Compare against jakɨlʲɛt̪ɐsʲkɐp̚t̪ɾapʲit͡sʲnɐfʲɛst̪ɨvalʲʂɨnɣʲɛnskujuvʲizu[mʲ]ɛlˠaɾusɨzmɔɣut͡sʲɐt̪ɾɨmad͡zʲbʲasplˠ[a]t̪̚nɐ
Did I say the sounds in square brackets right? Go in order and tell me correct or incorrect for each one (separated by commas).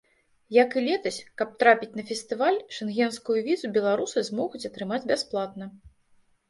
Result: incorrect, correct